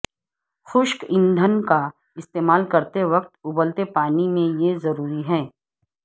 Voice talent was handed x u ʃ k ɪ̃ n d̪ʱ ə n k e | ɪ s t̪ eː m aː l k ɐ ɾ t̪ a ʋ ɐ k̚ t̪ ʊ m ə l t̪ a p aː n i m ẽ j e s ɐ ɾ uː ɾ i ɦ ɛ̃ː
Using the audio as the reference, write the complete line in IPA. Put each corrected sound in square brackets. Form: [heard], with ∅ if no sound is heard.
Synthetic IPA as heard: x [ʊ] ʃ k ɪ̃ n d̪ʱ ə n k [a] | ɪ s t̪ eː m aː l k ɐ ɾ t̪ [e] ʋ ɐ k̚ t̪ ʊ [b] ə l t̪ [e] p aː n i m ẽ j e [z] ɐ ɾ uː ɾ i ɦ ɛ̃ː